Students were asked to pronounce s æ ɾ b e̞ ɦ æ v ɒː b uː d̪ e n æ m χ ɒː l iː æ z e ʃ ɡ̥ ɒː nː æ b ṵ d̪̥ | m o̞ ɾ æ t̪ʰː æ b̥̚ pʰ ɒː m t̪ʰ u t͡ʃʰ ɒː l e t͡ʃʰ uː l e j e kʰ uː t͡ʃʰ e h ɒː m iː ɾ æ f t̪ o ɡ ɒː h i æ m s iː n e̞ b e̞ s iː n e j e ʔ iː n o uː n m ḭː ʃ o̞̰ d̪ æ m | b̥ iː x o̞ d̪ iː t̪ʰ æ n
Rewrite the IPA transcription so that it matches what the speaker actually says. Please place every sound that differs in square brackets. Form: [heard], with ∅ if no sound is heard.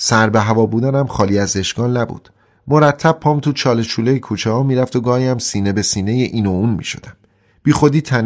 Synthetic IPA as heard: s æ ɾ b e̞ ɦ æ v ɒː b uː d̪ [æ] n æ m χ ɒː l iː æ z e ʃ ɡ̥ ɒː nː æ b ṵ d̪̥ | m o̞ ɾ æ t̪ʰː æ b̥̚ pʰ ɒː m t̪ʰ u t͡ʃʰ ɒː l e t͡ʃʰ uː l e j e kʰ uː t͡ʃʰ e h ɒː m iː ɾ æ f t̪ o ɡ ɒː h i æ m s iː n e̞ b e̞ s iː n e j e ʔ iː n o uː n m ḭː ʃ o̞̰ d̪ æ m | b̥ iː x o̞ d̪ iː t̪ʰ æ n